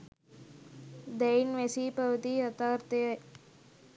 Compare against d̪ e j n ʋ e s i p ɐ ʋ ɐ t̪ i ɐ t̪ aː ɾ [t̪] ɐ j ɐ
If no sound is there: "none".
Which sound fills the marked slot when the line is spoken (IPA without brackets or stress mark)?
t̪